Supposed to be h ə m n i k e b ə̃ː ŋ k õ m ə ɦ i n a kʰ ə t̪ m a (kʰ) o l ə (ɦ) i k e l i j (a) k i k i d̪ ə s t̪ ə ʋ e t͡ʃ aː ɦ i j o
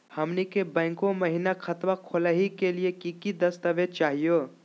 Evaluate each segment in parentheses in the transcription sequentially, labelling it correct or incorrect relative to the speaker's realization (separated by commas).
correct, correct, incorrect